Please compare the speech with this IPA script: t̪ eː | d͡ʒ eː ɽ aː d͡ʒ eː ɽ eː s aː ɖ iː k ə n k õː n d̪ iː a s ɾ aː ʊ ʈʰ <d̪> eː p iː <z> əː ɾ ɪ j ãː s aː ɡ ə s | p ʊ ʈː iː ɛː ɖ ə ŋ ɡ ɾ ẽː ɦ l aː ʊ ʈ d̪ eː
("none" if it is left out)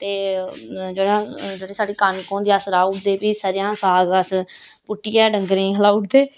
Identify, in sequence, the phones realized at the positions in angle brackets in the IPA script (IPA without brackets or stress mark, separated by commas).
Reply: d̪, s